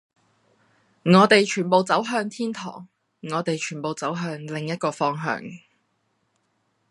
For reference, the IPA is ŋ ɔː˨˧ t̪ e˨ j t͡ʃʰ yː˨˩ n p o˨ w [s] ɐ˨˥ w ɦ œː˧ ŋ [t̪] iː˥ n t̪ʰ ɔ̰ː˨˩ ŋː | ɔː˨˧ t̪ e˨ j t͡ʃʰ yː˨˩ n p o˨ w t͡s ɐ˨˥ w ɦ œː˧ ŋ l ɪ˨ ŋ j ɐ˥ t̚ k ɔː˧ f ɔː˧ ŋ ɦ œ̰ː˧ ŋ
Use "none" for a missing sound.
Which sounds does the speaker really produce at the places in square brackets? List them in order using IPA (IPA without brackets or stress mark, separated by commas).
t͡s, t̪ʰ